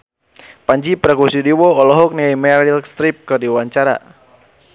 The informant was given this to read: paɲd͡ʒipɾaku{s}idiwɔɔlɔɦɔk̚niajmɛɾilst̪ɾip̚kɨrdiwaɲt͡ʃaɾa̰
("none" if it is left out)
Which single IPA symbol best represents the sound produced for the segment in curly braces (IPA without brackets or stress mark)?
s